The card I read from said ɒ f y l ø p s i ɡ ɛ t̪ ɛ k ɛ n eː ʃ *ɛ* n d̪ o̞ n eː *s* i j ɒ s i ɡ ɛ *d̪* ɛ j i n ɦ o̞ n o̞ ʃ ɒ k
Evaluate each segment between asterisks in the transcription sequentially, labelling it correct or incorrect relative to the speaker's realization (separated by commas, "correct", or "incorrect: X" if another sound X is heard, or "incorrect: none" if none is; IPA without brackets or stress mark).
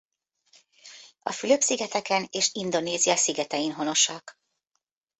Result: incorrect: i, incorrect: z, incorrect: t̪